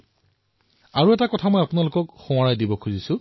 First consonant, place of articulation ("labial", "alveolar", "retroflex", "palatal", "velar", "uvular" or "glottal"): alveolar